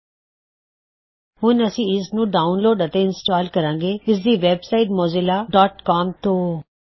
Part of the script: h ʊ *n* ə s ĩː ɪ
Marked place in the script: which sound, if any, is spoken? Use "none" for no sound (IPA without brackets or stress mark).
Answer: n